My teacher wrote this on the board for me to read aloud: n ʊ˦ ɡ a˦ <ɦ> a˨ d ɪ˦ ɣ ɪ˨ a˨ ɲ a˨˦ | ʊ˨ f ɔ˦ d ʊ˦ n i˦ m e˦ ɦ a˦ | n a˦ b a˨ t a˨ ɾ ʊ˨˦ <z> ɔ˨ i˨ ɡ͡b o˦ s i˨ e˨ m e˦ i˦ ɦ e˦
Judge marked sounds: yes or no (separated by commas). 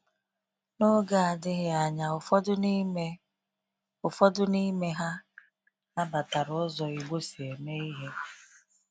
no, yes